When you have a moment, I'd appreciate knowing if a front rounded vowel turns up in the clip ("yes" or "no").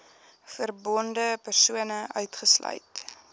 yes